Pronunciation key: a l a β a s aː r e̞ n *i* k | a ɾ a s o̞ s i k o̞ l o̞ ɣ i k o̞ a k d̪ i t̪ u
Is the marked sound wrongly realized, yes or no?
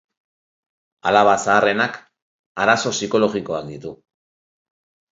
yes